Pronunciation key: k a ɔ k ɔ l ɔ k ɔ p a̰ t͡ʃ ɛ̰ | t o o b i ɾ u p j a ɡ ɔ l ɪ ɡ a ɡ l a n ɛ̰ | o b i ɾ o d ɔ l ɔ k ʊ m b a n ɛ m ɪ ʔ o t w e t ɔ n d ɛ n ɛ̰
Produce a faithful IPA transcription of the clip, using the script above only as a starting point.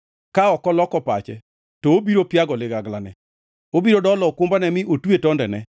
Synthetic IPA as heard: k a ɔ k ɔ l ɔ k ɔ p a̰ t͡ʃ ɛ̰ | t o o b i ɾ o p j a ɡ ɔ l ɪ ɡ a ɡ l a n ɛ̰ | o b i ɾ o d ɔ l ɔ k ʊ m b a n ɛ m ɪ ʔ o t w e t ɔ n d ɛ n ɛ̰